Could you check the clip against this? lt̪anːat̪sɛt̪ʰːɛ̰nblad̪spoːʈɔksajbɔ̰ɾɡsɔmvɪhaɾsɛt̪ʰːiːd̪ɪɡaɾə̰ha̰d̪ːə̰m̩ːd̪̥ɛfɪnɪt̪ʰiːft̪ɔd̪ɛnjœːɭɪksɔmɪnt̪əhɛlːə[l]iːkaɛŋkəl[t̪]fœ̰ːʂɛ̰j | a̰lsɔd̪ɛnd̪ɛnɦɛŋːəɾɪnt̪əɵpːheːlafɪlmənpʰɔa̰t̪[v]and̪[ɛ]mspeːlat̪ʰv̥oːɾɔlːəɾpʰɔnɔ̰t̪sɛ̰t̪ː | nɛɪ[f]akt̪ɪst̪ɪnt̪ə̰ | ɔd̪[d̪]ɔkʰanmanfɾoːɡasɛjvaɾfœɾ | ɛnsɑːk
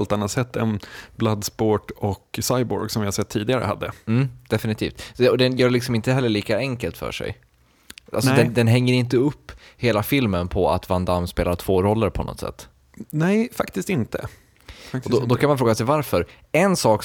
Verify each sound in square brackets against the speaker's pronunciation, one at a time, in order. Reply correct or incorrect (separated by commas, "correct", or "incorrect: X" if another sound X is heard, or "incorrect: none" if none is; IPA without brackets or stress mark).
incorrect: ɭ, correct, correct, incorrect: a, correct, correct